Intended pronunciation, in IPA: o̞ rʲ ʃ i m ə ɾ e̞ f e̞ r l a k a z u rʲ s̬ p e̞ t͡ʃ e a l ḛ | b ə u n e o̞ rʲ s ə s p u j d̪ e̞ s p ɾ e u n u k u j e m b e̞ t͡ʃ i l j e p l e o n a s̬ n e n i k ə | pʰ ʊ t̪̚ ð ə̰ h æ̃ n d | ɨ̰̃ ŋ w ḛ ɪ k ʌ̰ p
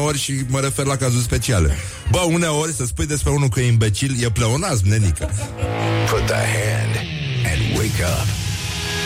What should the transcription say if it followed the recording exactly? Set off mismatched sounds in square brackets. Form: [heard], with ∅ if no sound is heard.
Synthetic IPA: o̞ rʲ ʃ i m ə ɾ e̞ f e̞ r l a k a z u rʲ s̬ p e̞ t͡ʃ [i] a l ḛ | b ə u n e o̞ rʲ s ə s p u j d̪ e̞ s p ɾ e u n u k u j [i] m b e̞ t͡ʃ i l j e p l e o n a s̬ n e n i k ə | pʰ ʊ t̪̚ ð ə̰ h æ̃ n d | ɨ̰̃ [n] w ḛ ɪ k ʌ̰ p